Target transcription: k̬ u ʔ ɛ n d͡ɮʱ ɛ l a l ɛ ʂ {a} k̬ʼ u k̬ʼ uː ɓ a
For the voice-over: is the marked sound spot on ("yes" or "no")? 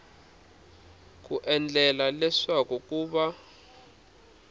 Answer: yes